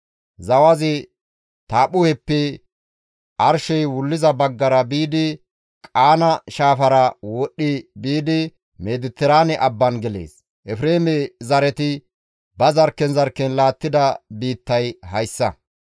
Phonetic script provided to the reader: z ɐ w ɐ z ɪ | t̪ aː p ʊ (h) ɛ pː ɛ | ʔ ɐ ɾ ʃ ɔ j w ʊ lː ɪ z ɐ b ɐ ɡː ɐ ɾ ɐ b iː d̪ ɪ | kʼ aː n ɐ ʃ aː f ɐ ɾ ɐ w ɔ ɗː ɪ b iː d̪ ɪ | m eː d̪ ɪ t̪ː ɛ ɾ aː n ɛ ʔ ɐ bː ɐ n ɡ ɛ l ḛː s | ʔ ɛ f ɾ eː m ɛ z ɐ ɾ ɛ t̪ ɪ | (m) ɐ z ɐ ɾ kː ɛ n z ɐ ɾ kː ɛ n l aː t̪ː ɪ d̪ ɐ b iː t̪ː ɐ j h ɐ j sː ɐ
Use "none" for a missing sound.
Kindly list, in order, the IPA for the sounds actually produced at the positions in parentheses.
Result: h, b

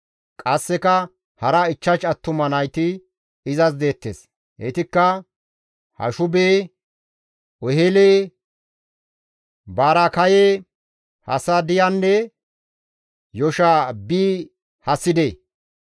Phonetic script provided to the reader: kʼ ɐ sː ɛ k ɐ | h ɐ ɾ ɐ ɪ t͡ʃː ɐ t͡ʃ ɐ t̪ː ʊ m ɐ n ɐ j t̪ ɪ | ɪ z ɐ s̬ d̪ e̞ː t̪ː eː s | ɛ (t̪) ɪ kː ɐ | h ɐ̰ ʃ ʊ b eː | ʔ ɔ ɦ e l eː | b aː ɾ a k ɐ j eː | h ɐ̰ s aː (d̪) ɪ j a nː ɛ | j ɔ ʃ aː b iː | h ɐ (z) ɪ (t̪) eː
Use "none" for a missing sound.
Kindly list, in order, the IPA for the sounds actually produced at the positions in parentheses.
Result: t̪, d̪, s, d̪

